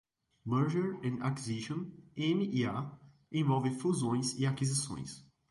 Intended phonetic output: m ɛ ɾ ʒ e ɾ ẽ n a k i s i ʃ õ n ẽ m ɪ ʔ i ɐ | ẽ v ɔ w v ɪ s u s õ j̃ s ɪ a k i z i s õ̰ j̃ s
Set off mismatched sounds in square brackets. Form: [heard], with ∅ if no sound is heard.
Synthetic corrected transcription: m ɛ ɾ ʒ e ɾ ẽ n a k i [z] i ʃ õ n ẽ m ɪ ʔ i [a] | ẽ v ɔ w v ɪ [f] u [z] õ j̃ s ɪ a k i z i s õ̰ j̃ s

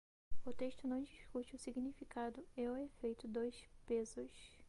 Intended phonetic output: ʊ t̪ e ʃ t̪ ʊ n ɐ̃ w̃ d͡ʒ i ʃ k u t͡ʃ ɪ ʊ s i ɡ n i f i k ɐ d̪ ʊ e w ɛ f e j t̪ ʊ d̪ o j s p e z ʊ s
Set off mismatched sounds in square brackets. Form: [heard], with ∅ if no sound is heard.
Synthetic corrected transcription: ʊ t̪ e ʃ t̪ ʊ n ɐ̃ w̃ d͡ʒ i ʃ k u t͡ʃ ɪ ʊ s i ɡ n i f i k [a] d̪ ʊ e w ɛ f e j t̪ ʊ d̪ o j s p e z ʊ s

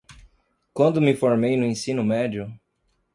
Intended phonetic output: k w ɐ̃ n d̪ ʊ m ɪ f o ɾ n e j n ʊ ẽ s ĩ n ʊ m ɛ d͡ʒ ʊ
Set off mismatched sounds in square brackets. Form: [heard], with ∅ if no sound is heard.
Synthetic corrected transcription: k w ɐ̃ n d̪ ʊ m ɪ f o ɾ [m] e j n ʊ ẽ s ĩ n ʊ m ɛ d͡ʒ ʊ

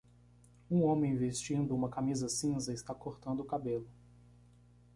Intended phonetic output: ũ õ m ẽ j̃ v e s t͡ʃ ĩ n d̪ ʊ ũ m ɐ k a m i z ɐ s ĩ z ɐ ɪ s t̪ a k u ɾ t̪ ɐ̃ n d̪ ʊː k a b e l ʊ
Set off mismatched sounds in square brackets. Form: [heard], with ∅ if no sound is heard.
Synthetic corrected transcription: ũ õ m ẽ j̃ v e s t͡ʃ ĩ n d̪ ʊ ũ m ɐ k a m i z ɐ s ĩ z ɐ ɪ s t̪ a k [o] ɾ t̪ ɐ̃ n d̪ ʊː k a b e l ʊ

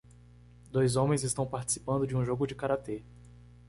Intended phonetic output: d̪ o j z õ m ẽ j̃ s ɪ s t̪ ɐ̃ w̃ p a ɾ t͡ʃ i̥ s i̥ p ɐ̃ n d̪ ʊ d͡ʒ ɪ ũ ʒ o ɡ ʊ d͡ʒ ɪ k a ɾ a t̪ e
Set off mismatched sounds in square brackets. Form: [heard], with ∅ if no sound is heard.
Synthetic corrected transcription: d̪ o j z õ m ẽ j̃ [z] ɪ s t̪ ɐ̃ w̃ p a ɾ t͡ʃ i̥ s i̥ p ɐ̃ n d̪ ʊ d͡ʒ ɪ ũ ʒ o ɡ ʊ d͡ʒ ɪ k a ɾ a t̪ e

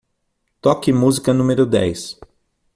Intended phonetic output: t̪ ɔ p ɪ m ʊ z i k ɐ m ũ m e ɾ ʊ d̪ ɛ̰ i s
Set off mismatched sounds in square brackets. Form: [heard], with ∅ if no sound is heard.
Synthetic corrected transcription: t̪ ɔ [k] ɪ m [u] z i k ɐ [n] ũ m e ɾ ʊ d̪ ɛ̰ [j] s

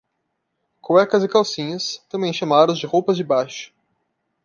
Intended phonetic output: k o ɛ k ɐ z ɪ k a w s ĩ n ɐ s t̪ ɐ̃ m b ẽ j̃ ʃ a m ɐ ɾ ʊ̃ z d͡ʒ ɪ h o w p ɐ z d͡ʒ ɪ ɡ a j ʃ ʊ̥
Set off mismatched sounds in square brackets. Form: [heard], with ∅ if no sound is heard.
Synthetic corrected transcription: k o ɛ k ɐ z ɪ k a w s ĩ [ɲ] ɐ s t̪ ɐ̃ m b ẽ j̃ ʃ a m [a] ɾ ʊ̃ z d͡ʒ ɪ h o w p ɐ z d͡ʒ ɪ [b] a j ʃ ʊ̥

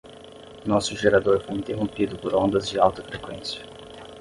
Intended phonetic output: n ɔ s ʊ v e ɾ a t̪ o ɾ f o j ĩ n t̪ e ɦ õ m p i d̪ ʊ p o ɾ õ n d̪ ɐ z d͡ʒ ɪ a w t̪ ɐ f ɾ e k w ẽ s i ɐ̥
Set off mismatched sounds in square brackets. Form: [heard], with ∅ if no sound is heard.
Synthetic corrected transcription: n ɔ s ʊ [ʒ] e ɾ a [d̪] o ɾ f o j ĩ n t̪ e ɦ õ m p i d̪ ʊ p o ɾ õ n d̪ ɐ z d͡ʒ ɪ a w t̪ ɐ f ɾ e k w ẽ s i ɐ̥

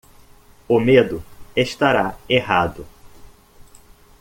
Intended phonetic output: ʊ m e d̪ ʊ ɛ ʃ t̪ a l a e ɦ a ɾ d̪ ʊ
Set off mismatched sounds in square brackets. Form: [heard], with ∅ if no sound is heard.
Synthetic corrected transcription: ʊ m e d̪ ʊ [e] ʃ t̪ a [ɾ] a e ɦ a [∅] d̪ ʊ

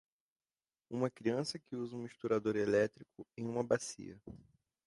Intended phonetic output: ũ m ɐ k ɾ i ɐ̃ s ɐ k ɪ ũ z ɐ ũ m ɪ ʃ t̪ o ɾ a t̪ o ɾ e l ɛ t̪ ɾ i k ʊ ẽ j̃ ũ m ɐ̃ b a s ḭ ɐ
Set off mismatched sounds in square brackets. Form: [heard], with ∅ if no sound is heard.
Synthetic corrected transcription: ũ m ɐ k ɾ i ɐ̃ s ɐ k ɪ [u] z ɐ ũ m [i] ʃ t̪ [u] ɾ a [d̪] o ɾ e l ɛ t̪ ɾ i k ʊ ẽ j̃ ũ m [ɐ] b a s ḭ ɐ

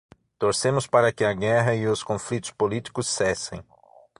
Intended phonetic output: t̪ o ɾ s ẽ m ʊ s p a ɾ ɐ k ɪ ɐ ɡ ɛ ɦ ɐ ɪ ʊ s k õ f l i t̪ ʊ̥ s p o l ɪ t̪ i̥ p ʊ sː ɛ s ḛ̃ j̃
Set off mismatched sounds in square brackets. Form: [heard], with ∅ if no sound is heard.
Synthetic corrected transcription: t̪ o ɾ s ẽ m ʊ s p a ɾ ɐ k ɪ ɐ ɡ ɛ ɦ ɐ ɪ ʊ s k õ f l i t̪ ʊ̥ s p o l [i] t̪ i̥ [k] ʊ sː ɛ s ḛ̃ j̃

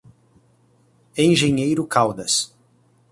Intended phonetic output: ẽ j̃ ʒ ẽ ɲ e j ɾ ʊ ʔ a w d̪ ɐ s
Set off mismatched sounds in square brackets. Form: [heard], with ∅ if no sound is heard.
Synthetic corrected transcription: ẽ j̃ ʒ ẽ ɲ e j ɾ ʊ [k] a w d̪ ɐ s

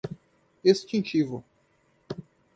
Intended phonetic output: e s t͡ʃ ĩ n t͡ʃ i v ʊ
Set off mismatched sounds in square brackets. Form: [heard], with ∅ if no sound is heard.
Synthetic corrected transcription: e s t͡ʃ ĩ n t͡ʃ i v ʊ

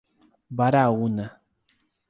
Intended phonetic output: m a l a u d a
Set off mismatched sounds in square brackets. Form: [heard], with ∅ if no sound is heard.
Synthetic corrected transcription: [b] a [ɾ] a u [n] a

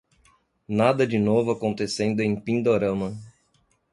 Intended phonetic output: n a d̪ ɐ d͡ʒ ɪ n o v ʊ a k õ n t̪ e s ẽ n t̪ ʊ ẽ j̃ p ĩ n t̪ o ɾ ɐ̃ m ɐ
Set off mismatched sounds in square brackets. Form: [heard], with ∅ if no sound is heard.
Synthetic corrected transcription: n a d̪ ɐ d͡ʒ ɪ n o v ʊ a k õ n t̪ e s ẽ n [d̪] ʊ ẽ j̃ p ĩ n [d̪] o ɾ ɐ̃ m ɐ

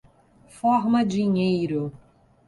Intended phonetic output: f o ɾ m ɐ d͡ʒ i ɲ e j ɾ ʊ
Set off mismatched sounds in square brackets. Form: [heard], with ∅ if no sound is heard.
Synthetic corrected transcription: f [ɔ] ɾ m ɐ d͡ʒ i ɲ e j ɾ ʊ

